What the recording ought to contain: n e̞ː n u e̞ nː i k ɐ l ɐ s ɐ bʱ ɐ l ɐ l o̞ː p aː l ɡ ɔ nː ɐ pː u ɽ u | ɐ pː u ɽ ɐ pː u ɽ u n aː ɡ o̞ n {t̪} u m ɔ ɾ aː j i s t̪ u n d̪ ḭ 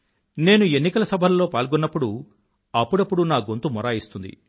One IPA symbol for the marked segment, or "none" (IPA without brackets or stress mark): t̪